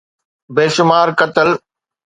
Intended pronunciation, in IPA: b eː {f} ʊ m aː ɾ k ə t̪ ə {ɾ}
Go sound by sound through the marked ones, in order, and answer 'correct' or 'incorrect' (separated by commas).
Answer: incorrect, incorrect